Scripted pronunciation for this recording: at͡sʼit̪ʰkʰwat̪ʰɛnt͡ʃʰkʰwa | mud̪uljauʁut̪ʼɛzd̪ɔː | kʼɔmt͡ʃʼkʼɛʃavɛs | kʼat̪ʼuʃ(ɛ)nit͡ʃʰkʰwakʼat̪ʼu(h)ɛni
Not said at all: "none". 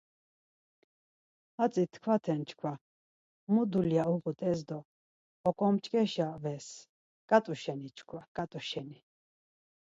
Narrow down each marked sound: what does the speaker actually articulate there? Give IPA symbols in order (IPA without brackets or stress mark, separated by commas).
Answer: ɛ, ʃ